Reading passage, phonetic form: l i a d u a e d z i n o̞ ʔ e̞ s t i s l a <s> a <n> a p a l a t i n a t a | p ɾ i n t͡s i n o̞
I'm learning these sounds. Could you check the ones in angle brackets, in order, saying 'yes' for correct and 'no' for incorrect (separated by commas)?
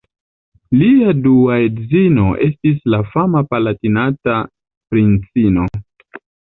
no, no